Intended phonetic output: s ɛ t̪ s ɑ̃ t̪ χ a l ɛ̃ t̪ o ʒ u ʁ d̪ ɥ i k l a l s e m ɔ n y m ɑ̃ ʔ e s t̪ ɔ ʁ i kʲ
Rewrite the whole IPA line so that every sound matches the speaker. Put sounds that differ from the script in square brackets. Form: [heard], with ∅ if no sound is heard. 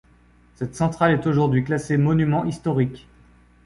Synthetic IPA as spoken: s ɛ t̪ s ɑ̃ t̪ χ a l [ɛ] t̪ o ʒ u ʁ d̪ ɥ i k l a [∅] s e m ɔ n y m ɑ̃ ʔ [i] s t̪ ɔ ʁ i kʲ